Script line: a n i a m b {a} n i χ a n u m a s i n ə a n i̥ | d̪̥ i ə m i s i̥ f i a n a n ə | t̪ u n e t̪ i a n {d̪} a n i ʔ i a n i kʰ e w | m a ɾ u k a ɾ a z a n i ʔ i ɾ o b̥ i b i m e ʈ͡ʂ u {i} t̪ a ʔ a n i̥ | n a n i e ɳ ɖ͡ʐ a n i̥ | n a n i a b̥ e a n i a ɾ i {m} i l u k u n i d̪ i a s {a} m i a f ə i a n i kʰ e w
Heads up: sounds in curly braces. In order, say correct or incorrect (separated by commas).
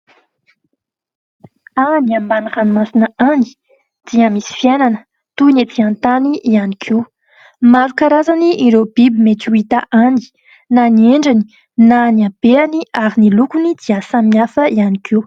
correct, incorrect, correct, incorrect, correct